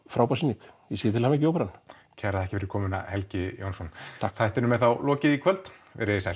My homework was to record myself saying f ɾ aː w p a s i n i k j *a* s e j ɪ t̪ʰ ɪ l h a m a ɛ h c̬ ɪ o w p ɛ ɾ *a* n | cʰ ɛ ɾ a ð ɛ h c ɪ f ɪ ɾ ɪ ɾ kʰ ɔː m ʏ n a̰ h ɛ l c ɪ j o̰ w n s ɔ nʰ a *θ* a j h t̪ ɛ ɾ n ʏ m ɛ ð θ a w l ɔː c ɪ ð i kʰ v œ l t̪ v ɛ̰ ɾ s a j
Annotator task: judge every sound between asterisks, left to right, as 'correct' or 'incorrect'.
incorrect: ɛ, correct, correct

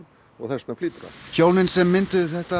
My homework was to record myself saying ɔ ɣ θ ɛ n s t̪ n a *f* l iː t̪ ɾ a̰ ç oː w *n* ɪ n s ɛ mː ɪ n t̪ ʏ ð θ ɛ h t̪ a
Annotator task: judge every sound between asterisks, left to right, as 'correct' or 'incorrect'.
correct, correct

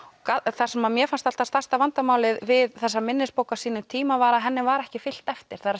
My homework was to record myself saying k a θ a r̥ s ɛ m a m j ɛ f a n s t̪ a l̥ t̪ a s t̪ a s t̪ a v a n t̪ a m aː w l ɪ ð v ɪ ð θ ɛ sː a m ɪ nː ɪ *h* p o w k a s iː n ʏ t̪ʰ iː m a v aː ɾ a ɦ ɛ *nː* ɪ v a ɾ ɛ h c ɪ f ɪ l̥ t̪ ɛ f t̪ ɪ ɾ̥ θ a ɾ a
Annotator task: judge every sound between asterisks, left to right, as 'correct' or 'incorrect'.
incorrect: s, correct

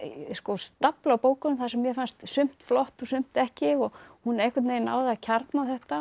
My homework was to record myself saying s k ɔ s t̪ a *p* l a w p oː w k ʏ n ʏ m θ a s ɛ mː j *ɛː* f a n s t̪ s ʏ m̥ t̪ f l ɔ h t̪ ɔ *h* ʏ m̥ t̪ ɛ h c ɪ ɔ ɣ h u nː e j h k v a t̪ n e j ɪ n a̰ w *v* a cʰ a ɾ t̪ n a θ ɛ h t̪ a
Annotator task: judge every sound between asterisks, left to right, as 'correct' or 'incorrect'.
correct, incorrect: ɛ, incorrect: s, incorrect: ð

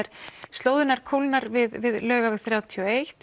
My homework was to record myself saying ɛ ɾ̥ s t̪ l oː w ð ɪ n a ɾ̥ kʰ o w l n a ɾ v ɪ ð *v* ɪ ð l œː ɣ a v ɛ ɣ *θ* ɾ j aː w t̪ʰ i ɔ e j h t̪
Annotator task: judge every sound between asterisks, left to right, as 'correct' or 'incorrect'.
correct, correct

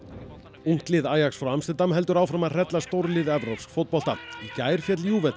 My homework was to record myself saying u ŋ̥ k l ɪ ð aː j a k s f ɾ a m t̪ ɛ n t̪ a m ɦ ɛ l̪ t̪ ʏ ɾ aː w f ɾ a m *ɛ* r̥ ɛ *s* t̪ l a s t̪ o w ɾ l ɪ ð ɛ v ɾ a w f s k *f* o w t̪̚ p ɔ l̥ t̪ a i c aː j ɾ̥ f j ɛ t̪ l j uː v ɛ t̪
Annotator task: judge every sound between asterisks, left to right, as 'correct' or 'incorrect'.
incorrect: a, incorrect: none, correct

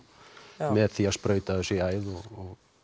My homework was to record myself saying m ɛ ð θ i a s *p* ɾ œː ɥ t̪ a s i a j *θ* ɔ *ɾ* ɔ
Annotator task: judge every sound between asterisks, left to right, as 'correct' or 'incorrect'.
correct, incorrect: ð, incorrect: none

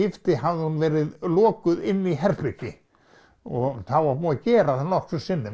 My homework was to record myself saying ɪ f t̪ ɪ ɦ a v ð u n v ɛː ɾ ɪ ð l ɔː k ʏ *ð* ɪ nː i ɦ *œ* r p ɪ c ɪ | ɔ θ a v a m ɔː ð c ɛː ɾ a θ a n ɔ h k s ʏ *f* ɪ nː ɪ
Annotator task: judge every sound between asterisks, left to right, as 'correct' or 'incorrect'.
correct, incorrect: ɛ, incorrect: s

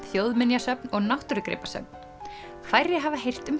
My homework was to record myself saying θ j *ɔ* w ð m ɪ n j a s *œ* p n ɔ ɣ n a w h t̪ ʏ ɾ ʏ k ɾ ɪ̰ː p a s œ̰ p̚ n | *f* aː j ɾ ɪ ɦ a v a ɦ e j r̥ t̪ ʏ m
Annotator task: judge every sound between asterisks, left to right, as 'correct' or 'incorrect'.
incorrect: o, correct, correct

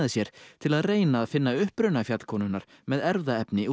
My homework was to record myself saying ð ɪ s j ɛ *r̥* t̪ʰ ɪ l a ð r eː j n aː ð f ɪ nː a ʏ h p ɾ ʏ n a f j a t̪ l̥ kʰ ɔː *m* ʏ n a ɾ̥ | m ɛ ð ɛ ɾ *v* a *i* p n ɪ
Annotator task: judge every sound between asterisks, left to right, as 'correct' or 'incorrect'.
incorrect: ɾ̥, incorrect: n, incorrect: ð, incorrect: ɛ

